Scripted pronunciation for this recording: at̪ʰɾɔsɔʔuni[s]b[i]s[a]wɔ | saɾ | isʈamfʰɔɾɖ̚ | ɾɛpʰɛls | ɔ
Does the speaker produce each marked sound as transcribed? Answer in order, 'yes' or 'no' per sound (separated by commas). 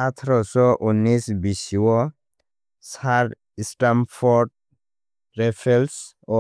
yes, yes, no